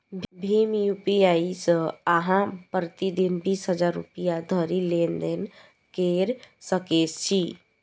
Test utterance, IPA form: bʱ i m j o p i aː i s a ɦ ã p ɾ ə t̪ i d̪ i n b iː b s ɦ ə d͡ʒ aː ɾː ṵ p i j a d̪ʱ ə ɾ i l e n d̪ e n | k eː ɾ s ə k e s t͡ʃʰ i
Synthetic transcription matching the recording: bʱ i m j u p i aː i s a ɦ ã p ɾ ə t̪ i d̪ i n b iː s ɦ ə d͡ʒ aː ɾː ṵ p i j a d̪ʱ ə ɾ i l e n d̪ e n | k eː ɾ s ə k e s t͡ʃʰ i